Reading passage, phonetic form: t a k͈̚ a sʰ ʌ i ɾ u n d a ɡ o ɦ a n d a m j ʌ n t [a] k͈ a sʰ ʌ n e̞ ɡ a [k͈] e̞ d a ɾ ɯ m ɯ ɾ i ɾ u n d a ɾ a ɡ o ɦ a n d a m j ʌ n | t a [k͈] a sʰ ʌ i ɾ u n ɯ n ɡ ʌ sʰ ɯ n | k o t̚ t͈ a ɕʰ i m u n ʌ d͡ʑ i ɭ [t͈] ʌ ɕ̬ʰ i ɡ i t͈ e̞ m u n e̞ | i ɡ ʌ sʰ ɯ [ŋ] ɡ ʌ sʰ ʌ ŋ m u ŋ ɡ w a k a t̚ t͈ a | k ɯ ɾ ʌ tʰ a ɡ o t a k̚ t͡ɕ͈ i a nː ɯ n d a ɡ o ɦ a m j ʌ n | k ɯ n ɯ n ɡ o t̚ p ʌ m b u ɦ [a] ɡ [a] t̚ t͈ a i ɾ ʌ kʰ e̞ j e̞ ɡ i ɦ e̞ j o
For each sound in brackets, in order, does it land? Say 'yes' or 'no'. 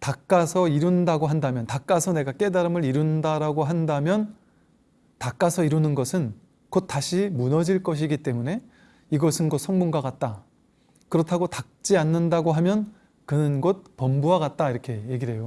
yes, yes, yes, no, no, yes, yes

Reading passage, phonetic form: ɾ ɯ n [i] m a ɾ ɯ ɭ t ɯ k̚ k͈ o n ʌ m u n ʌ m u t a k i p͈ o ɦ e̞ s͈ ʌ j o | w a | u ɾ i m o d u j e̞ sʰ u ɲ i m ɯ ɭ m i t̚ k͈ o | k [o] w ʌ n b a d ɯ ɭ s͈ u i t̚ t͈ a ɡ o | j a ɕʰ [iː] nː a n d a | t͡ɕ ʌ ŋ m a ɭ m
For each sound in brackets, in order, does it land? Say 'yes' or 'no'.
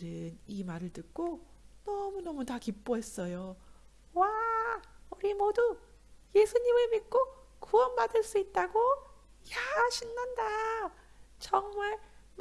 yes, no, no

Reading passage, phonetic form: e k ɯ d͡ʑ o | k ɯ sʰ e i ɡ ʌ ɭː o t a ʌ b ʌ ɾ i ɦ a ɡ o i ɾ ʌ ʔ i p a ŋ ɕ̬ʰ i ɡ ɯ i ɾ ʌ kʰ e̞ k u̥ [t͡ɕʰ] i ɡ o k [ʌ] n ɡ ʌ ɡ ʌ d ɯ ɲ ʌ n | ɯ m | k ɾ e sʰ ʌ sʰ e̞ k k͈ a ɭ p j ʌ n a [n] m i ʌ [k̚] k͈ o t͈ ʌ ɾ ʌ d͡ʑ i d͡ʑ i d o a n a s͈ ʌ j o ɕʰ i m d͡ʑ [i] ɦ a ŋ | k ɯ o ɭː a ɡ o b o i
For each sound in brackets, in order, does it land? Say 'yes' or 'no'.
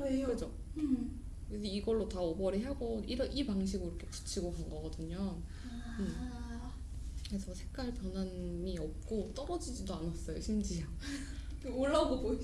yes, no, yes, no, yes

